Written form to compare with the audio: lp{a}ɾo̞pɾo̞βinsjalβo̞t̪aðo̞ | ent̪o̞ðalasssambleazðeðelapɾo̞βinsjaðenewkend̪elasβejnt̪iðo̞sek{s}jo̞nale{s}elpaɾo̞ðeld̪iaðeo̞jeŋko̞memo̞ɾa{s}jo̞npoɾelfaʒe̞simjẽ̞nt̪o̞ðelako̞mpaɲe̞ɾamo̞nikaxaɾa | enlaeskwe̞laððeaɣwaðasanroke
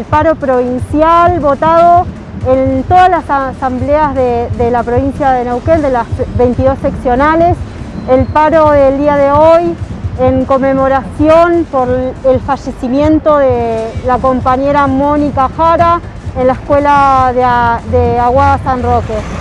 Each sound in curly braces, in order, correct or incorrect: correct, correct, correct, correct

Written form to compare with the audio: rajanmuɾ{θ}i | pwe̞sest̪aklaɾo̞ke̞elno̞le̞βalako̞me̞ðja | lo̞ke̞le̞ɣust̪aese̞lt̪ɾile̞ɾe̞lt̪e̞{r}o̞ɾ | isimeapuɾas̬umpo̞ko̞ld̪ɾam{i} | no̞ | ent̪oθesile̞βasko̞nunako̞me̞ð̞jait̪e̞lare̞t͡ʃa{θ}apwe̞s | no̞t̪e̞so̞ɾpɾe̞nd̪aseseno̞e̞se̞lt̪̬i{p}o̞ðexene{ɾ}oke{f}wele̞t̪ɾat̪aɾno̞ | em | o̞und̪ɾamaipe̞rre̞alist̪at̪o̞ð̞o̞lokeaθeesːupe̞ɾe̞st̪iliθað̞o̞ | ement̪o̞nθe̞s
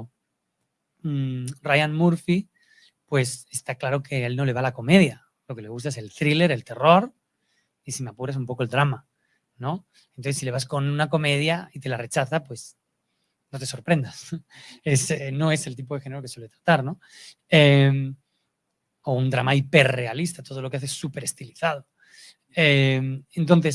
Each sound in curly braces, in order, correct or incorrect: incorrect: f, correct, incorrect: a, correct, correct, correct, incorrect: s

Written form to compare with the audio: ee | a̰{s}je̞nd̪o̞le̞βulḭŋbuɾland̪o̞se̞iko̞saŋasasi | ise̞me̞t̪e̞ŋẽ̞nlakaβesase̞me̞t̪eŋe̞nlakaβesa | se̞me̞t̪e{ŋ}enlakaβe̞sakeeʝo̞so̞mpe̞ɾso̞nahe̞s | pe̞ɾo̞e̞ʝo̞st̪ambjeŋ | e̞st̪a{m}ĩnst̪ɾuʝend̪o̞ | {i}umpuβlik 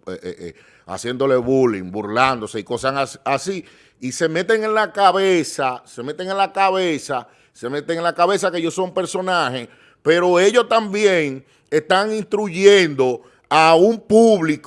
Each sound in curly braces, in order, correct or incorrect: correct, correct, incorrect: ŋ, incorrect: a

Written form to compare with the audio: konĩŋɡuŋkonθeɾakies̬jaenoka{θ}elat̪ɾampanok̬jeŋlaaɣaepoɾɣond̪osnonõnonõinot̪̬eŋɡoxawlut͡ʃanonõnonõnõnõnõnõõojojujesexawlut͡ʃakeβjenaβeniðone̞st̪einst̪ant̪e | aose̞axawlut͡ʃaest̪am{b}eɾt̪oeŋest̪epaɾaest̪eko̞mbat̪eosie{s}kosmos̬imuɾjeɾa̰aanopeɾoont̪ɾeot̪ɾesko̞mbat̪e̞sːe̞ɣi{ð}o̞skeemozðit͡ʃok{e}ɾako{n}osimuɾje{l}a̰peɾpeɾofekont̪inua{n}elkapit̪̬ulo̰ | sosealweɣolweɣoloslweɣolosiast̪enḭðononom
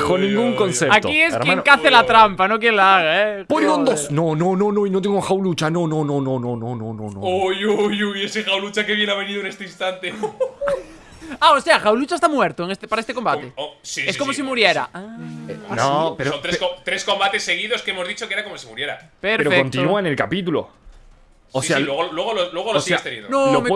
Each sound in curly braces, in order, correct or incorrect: correct, incorrect: w, correct, correct, correct, incorrect: m, incorrect: ɾ, correct

